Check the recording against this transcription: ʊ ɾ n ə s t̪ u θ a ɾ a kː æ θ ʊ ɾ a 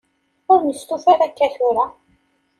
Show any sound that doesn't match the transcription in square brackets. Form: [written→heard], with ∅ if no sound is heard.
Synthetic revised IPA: ʊ ɾ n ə s t̪ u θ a ɾ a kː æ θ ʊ ɾ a